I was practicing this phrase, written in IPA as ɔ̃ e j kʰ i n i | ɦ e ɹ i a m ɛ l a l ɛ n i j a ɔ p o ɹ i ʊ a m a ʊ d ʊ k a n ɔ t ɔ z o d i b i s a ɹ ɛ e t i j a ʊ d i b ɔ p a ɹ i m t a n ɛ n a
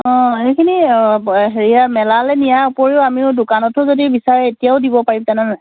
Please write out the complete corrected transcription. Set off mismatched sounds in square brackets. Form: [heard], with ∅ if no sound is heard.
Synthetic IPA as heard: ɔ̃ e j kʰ i n i | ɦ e ɹ i a m ɛ l a l ɛ n i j a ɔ p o ɹ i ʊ a m [i] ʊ d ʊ k a n ɔ t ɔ z o d i b i s a ɹ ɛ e t i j a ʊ d i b ɔ p a ɹ i m t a n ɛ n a